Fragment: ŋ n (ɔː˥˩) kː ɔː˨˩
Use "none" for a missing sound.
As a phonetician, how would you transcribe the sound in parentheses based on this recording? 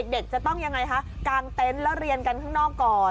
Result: ɔː˥˩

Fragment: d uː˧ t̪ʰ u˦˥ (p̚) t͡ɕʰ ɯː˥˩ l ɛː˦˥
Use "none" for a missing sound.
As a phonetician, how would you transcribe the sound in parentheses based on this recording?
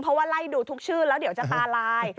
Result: k̚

